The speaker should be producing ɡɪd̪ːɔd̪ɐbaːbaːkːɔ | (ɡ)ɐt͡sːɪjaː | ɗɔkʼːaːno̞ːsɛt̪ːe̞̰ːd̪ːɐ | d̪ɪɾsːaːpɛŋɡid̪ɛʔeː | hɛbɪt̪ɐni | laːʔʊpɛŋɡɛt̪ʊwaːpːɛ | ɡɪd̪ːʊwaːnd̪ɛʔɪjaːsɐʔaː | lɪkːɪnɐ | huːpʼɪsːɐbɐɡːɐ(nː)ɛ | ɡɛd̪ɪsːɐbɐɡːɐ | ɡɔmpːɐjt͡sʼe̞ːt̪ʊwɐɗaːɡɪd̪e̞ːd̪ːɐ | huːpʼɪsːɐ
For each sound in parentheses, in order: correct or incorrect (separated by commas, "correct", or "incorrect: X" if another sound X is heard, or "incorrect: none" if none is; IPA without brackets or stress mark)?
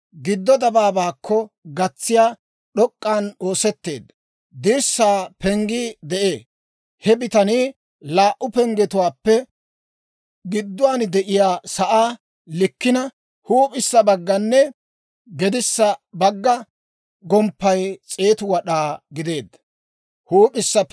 correct, correct